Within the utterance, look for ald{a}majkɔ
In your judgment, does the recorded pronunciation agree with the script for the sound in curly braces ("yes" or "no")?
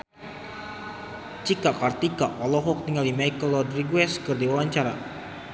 no